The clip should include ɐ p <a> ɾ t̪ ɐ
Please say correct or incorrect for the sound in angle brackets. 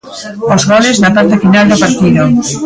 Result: correct